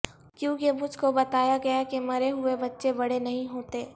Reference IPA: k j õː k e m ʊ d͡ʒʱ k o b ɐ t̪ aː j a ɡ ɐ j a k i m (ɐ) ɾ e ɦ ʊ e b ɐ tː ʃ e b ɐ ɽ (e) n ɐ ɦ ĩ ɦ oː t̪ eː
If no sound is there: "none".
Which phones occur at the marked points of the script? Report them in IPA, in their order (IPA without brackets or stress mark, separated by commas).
ɐ, e